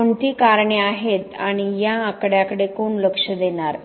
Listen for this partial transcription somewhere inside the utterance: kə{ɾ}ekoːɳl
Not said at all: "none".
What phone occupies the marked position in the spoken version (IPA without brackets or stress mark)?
ɽ